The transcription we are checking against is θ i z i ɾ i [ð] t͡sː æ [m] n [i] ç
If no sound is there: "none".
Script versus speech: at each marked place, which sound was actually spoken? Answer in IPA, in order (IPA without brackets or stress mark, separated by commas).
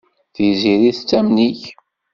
θ, m, i